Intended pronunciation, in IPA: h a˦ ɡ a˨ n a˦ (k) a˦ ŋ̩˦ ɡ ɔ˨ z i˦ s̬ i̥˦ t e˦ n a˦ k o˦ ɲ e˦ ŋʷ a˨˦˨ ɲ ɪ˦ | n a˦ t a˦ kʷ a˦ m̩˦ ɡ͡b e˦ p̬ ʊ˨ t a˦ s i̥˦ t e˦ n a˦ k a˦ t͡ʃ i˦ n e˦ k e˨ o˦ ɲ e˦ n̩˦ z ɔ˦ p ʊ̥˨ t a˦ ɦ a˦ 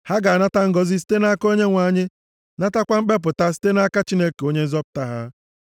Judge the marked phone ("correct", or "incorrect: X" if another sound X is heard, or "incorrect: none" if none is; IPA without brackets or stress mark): incorrect: t